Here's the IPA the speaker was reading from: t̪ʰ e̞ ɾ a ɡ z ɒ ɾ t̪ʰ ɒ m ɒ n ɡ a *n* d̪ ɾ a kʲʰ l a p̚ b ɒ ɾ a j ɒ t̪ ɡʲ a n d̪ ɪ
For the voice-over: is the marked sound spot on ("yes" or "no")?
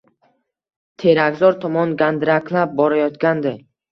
yes